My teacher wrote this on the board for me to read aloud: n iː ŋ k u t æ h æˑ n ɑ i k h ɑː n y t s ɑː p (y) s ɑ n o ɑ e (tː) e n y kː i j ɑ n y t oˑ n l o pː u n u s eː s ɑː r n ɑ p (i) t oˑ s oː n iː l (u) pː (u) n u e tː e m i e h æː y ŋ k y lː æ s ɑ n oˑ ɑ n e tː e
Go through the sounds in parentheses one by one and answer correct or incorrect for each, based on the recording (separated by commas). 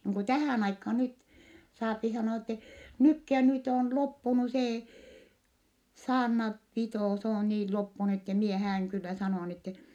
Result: incorrect, correct, correct, incorrect, correct